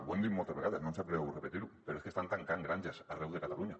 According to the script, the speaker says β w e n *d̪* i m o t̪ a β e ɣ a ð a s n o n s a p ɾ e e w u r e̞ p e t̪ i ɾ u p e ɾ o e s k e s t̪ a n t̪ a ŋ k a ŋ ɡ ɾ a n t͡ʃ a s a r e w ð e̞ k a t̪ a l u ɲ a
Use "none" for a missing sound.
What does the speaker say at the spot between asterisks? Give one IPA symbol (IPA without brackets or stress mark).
d̪